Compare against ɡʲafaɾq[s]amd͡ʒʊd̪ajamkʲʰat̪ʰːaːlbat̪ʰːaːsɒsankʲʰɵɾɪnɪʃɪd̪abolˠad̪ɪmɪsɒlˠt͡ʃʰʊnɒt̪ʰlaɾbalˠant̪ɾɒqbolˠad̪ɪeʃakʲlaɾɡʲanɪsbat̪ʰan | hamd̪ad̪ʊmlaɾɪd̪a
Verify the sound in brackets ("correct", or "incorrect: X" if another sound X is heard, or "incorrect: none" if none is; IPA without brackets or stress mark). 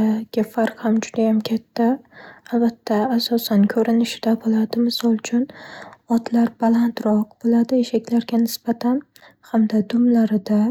incorrect: h